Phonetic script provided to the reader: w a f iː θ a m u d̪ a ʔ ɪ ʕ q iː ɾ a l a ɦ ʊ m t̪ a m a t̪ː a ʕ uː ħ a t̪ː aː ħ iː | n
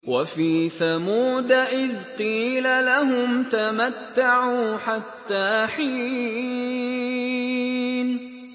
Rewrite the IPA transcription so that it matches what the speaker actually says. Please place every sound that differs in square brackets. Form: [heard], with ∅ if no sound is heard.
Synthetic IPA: w a f iː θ a m [uː] d̪ a ʔ ɪ [ð] q iː [l] a l a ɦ ʊ m t̪ a m a t̪ː a ʕ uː ħ a t̪ː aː ħ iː | n